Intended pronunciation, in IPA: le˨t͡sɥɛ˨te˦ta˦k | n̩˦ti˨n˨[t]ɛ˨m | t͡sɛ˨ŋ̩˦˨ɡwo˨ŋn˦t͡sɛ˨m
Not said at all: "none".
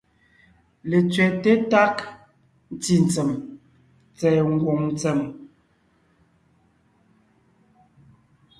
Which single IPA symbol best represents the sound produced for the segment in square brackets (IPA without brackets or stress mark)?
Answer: t͡s